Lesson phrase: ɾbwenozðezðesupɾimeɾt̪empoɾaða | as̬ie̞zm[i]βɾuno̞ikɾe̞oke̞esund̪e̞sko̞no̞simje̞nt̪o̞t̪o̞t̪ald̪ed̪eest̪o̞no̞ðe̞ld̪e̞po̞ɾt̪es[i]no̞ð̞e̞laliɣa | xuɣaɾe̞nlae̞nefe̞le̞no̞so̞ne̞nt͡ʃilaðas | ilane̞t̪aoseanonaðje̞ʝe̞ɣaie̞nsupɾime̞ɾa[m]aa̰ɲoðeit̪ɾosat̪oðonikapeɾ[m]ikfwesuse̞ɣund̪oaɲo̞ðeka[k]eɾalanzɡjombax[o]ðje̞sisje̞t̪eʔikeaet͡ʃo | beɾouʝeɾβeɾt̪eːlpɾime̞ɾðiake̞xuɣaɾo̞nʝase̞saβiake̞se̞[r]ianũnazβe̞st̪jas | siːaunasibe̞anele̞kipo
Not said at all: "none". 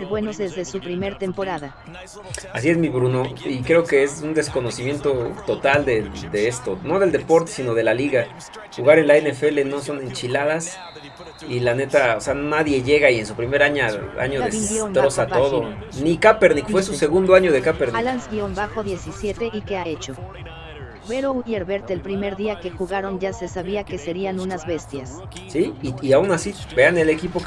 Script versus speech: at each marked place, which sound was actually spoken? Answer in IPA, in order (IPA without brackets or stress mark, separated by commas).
i, i, ɲ, n, p, o, ɾ